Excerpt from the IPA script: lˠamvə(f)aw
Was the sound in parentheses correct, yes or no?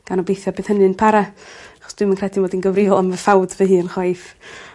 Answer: yes